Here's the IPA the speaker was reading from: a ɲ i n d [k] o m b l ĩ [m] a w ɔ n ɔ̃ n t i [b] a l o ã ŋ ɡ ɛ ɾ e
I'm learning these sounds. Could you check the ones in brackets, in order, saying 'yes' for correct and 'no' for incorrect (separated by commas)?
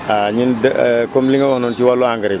yes, no, no